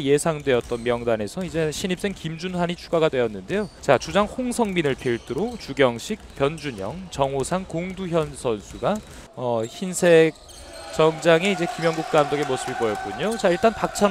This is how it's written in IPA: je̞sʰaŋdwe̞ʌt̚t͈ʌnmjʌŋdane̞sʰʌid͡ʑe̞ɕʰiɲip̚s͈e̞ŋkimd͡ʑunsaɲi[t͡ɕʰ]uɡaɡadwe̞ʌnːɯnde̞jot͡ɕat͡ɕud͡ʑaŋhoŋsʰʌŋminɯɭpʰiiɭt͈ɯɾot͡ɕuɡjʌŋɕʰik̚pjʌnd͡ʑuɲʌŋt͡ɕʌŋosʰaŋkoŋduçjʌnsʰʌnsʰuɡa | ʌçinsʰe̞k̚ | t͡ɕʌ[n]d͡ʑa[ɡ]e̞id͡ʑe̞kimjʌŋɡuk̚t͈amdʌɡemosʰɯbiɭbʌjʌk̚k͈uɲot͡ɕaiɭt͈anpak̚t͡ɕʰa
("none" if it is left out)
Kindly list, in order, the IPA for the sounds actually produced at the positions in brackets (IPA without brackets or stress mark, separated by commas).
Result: t͡ɕʰ, ŋ, ŋ